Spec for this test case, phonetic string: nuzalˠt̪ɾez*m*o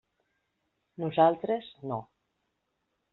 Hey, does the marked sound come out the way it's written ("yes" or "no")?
no